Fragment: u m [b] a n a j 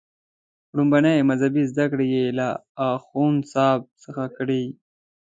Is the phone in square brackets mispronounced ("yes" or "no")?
no